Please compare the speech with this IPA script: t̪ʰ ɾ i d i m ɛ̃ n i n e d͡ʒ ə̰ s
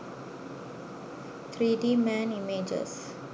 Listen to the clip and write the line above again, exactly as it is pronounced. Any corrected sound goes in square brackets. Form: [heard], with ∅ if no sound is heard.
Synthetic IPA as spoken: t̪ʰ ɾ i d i m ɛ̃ n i [m] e d͡ʒ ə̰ s